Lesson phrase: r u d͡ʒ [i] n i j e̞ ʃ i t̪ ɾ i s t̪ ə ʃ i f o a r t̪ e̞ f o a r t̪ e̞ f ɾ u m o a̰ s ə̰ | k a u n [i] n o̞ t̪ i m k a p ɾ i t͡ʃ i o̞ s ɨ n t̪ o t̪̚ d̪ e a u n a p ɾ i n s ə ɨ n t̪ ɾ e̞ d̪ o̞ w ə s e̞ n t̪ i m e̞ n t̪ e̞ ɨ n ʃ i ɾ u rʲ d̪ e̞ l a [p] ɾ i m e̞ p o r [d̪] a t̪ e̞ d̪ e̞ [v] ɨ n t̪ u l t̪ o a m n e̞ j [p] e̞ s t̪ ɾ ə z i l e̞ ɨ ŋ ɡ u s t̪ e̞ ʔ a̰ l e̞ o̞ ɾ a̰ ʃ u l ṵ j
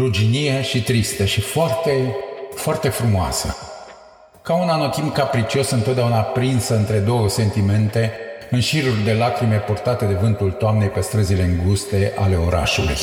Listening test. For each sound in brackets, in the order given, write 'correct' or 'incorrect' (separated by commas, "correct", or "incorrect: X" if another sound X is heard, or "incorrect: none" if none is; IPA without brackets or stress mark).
correct, incorrect: a, incorrect: k, incorrect: t̪, correct, correct